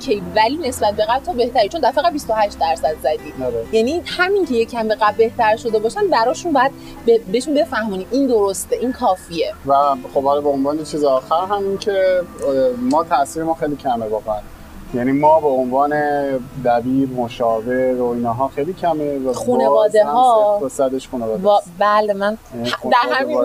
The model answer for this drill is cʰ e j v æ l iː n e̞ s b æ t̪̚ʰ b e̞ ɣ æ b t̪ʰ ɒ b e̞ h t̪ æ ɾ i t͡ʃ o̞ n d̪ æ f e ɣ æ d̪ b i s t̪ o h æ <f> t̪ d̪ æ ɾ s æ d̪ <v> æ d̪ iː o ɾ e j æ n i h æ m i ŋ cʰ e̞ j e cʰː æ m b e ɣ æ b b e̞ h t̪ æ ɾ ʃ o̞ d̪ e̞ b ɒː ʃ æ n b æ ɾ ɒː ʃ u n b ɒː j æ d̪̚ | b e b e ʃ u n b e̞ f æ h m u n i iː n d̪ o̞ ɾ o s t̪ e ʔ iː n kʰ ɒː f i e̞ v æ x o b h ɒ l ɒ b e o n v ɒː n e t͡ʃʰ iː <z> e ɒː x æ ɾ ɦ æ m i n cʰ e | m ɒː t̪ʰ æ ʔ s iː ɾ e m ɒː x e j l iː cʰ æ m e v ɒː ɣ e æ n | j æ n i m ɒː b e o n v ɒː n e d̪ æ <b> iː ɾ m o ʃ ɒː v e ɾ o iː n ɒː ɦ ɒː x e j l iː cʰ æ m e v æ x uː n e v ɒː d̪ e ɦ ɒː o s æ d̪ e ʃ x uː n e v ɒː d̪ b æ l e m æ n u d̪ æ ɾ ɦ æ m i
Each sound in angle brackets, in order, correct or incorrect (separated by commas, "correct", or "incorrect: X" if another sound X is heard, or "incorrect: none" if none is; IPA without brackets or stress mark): incorrect: ʃ, incorrect: z, correct, correct